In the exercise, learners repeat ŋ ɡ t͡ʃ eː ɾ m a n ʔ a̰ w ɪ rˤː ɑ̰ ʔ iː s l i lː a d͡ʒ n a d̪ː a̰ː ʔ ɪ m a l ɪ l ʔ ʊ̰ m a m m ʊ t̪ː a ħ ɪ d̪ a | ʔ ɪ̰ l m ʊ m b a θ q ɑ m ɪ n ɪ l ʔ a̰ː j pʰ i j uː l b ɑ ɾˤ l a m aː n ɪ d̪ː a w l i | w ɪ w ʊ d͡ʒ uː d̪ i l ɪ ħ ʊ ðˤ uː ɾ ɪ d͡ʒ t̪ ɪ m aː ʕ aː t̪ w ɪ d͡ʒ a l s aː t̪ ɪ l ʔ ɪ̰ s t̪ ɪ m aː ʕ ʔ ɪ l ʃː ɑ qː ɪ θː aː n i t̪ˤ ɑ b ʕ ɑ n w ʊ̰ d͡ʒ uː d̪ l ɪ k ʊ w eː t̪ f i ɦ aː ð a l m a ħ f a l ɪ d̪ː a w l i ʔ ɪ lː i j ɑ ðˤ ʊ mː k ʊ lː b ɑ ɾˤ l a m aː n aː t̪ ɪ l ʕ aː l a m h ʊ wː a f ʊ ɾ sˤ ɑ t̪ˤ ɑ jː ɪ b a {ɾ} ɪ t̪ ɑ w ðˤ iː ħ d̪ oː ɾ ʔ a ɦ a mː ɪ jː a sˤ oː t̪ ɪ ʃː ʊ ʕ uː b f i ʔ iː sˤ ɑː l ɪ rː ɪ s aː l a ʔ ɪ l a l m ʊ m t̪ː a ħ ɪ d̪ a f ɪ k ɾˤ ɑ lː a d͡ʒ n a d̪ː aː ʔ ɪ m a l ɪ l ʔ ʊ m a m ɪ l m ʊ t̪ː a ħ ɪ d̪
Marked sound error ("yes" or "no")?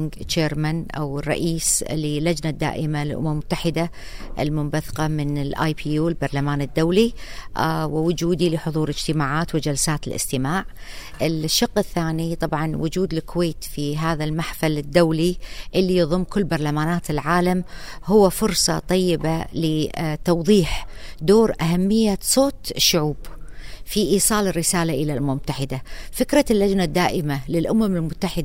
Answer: yes